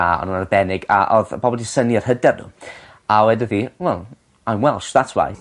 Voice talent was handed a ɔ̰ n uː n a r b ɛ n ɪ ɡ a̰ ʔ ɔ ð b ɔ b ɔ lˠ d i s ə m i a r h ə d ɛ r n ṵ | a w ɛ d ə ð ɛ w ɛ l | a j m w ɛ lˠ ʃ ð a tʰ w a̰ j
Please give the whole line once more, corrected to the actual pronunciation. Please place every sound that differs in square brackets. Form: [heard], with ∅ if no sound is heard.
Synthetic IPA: a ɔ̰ n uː n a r b ɛ n ɪ ɡ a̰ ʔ ɔ ð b ɔ b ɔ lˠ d i s ə [n] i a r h ə d ɛ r n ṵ | a w ɛ d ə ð [i] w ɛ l | a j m w ɛ lˠ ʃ ð a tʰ w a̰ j